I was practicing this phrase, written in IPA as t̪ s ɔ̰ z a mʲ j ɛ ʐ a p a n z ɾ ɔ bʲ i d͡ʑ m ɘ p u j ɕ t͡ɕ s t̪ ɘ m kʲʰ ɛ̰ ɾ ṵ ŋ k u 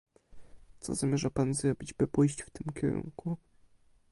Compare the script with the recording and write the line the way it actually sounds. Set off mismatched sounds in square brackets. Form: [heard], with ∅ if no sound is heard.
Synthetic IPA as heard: t̪ s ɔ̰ z a mʲ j ɛ ʐ a p a n z ɾ ɔ bʲ i d͡ʑ [b] ɘ p u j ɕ t͡ɕ [f] t̪ ɘ m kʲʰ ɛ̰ ɾ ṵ ŋ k u